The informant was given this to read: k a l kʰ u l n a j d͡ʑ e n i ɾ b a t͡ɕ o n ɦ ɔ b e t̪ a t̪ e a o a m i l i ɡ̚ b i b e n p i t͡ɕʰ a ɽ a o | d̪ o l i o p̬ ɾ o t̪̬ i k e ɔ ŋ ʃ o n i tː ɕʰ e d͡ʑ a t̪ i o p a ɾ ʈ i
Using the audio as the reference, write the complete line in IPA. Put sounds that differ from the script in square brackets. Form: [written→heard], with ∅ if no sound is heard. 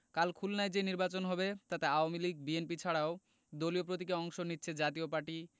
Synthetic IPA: k a l kʰ u l n a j d͡ʑ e n i ɾ b a t͡ɕ o n ɦ ɔ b e t̪ a t̪ e a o a m i l i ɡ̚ b i [b→∅] e n p i t͡ɕʰ a ɽ a o | d̪ o l i o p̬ ɾ o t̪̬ i k e ɔ ŋ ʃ o n i tː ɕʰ e d͡ʑ a t̪ i o p a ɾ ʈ i